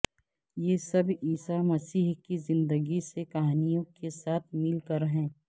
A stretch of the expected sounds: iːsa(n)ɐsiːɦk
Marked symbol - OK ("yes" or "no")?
no